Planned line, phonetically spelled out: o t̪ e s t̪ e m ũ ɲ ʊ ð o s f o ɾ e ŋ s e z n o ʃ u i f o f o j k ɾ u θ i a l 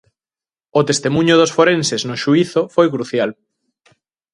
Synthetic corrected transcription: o t̪ e s t̪ e m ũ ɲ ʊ ð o s f o ɾ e n s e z n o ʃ u i θ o f o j k ɾ u θ j a l